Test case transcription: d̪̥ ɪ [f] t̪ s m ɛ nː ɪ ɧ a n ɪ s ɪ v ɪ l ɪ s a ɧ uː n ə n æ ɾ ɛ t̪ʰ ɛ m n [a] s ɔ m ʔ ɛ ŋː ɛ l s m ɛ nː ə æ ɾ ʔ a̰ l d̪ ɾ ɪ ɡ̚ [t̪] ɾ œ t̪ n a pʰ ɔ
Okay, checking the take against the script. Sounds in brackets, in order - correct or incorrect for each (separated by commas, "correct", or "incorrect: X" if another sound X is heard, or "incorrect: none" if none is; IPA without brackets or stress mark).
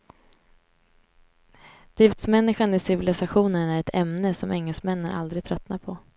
correct, incorrect: ə, incorrect: t̪ʰ